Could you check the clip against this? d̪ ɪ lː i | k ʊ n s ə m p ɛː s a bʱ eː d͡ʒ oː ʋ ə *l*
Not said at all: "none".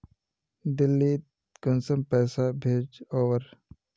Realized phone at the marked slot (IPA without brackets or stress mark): ɾ